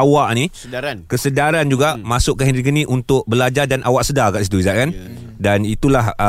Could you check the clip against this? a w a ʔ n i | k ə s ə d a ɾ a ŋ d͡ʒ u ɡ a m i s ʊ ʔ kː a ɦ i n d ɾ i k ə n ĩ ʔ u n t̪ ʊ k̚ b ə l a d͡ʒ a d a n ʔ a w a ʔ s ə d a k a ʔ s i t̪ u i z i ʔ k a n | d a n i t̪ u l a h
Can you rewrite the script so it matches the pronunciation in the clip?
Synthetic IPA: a w a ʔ n i | k ə s ə d a ɾ a n d͡ʒ u ɡ a m a s ʊ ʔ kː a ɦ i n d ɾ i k ə n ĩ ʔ u n t̪ ʊ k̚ b ə l a d͡ʒ a d a n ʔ a w a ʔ s ə d a k a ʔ s i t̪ u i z a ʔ k a n | d a n i t̪ u l a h